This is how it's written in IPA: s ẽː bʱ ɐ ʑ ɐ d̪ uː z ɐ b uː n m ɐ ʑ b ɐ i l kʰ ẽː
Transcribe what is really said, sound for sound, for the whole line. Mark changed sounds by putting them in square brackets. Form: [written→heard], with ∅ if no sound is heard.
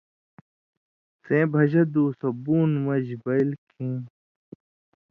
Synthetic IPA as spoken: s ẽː bʱ ɐ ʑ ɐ d̪ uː [z→s] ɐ b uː n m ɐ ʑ b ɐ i l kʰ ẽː